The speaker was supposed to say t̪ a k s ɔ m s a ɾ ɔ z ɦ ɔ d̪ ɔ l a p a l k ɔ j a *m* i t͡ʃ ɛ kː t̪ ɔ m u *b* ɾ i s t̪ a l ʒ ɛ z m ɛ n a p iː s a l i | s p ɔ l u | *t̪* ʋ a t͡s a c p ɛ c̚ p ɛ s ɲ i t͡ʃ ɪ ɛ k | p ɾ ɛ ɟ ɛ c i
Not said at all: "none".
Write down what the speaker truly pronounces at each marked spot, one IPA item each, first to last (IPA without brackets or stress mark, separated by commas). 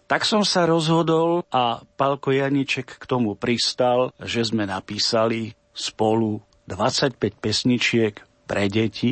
ɲ, p, d̪